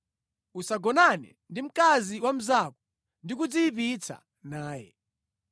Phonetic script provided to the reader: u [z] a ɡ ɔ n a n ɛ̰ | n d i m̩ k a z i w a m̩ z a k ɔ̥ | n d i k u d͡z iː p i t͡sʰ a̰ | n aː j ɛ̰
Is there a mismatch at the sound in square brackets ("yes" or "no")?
yes